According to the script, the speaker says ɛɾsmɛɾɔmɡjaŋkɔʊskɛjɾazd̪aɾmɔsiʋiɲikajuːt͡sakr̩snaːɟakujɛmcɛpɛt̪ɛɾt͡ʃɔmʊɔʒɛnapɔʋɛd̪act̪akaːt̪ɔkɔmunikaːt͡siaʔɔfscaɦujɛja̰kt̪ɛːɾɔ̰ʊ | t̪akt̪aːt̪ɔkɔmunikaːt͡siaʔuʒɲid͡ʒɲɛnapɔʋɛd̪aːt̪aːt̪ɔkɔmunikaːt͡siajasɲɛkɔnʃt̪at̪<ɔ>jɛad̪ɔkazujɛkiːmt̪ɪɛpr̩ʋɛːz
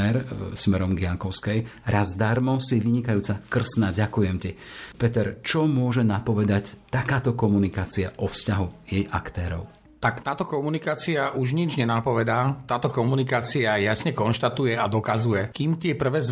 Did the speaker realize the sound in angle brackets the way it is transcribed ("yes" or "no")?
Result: no